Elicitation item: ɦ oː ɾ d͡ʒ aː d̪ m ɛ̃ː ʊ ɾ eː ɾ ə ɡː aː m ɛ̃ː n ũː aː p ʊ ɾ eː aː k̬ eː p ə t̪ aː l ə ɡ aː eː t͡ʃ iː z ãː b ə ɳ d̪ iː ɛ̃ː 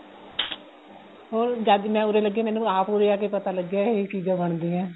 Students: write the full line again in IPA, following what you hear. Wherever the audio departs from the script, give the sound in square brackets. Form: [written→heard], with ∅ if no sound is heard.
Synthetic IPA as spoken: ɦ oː ɾ d͡ʒ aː d̪ m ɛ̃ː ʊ ɾ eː [ɾ→l] ə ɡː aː m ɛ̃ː n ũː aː p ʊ ɾ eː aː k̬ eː p ə t̪ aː l ə ɡ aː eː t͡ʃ iː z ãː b ə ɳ d̪ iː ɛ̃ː